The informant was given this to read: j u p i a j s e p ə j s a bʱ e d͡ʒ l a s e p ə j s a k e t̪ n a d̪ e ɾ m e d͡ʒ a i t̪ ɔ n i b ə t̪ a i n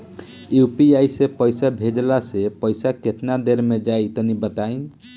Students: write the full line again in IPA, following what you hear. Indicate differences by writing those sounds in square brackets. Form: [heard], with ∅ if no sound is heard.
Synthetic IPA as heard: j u p i a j s e p ə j s a bʱ e d͡ʒ l a s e p ə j s a k e t̪ n a d̪ e ɾ m e d͡ʒ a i t̪ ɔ n i b ə t̪ a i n